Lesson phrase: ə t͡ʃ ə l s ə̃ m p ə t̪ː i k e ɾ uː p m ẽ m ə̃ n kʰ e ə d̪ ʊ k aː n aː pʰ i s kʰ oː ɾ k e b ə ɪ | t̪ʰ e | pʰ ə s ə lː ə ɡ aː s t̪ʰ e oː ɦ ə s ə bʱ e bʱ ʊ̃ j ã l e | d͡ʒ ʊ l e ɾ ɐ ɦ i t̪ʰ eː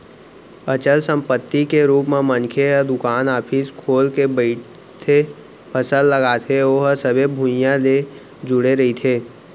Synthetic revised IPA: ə t͡ʃ ə l s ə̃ m p ə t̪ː i k e ɾ uː p m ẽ m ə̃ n kʰ e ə d̪ ʊ k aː n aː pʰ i s kʰ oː l k e b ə ɪ | t̪ʰ e | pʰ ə s ə lː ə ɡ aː t̪ʰ e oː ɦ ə s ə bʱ e bʱ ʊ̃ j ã l e | d͡ʒ ʊ ɽ e ɾ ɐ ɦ i t̪ʰ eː